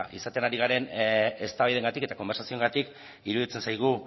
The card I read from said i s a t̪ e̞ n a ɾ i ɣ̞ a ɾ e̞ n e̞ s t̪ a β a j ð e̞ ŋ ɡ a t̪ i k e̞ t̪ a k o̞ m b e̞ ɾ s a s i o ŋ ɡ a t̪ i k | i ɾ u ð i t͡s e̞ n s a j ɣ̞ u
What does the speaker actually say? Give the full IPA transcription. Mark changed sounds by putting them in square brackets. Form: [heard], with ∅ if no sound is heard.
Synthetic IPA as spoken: i s a t̪ e̞ n a ɾ i ɣ̞ a ɾ e̞ n e̞ s t̪ a β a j ð e̞ ŋ ɡ a t̪ i k e̞ t̪ a k o̞ m b e̞ ɾ s a s i o ŋ ɡ a t̪ i k | i ɾ u ð i t͡s e̞ n s a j ɣ̞ u